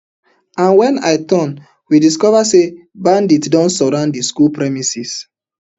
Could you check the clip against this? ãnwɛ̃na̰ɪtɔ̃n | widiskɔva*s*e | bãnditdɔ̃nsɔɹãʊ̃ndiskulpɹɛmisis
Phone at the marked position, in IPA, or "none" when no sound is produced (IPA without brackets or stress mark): s